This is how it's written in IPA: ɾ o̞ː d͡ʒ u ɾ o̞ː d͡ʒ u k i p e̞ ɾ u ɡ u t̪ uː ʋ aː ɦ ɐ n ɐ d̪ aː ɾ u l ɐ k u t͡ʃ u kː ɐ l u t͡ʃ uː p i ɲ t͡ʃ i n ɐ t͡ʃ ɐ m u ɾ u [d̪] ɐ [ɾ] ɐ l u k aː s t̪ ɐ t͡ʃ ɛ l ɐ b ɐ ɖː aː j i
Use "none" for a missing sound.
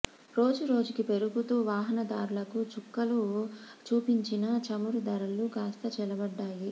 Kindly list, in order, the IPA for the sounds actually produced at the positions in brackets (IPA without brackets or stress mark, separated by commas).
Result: d̪, ɾ